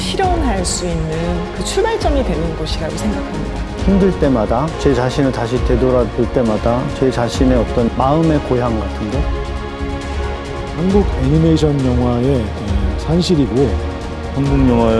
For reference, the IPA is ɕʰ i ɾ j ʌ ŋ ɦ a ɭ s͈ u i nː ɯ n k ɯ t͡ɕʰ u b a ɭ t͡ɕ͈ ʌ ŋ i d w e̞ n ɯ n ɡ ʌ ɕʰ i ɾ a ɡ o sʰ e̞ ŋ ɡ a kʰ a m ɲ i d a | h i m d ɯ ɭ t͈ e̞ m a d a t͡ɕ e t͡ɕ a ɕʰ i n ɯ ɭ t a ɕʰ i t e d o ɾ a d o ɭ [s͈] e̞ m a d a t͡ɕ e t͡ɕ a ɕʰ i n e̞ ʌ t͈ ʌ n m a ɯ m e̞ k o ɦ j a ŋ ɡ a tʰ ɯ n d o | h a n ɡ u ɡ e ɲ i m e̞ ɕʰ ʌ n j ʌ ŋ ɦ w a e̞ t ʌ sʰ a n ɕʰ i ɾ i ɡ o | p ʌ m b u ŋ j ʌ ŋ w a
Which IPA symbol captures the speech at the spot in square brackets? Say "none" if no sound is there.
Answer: t͈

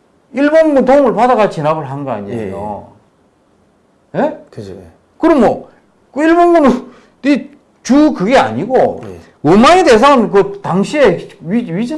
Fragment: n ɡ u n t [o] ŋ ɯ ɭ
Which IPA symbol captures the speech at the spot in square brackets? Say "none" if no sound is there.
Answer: o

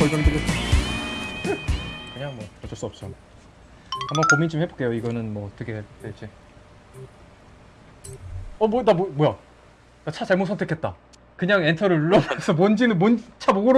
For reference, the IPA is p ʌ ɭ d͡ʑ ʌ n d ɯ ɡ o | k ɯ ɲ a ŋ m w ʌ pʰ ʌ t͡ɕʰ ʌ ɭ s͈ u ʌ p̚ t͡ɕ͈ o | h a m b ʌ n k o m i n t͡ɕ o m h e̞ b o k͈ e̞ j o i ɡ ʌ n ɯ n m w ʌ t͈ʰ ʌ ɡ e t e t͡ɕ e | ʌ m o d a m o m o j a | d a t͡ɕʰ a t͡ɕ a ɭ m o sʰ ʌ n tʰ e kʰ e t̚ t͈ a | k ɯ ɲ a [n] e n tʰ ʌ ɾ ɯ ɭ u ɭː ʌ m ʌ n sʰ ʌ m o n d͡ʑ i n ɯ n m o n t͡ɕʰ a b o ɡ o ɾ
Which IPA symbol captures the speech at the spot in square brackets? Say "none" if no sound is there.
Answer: ŋ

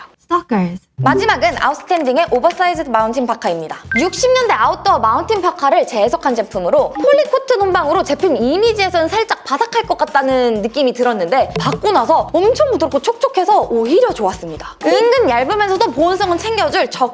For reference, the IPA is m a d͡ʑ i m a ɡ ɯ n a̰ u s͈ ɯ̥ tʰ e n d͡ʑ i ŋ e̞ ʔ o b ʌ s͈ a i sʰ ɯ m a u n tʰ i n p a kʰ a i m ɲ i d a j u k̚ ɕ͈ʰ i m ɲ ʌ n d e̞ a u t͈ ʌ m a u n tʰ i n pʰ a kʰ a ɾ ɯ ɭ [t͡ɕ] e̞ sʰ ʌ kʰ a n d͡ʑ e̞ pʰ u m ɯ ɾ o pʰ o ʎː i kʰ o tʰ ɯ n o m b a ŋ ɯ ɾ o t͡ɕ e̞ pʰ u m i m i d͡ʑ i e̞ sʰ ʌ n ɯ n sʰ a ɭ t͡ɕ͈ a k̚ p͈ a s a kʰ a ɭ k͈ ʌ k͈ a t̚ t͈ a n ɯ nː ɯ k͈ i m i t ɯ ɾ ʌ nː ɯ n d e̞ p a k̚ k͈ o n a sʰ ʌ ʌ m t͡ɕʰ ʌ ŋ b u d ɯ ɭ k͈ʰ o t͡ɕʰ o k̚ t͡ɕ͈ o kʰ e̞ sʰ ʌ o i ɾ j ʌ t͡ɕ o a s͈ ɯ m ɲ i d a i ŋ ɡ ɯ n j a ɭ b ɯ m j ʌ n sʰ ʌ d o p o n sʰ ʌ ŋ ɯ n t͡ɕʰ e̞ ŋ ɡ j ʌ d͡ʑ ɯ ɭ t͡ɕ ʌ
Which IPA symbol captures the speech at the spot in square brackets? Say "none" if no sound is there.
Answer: t͡ɕ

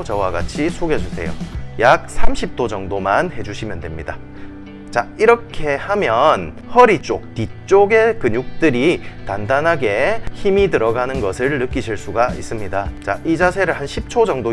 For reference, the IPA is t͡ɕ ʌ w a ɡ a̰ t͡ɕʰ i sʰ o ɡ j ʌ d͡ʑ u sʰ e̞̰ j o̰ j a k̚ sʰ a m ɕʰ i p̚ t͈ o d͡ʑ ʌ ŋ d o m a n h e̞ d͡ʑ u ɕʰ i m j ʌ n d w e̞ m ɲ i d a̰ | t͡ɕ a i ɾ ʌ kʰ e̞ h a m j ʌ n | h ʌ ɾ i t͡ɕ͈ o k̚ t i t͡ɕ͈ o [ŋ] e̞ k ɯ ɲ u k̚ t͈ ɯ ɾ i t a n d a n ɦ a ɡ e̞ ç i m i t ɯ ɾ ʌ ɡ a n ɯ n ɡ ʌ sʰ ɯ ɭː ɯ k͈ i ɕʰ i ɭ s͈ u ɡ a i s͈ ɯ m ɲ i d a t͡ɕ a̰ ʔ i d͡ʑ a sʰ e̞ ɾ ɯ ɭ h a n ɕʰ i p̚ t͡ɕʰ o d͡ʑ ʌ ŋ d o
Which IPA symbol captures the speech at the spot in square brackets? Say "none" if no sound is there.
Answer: ɡ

